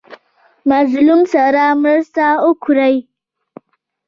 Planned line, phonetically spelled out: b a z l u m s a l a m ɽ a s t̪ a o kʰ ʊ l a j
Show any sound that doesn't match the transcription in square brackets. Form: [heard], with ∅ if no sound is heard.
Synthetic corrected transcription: [m] a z l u m s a [ɾ] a m [ɾ] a s t̪ a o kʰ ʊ [ɾ] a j